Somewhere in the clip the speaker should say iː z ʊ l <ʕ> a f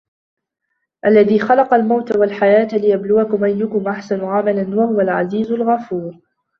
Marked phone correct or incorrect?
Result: incorrect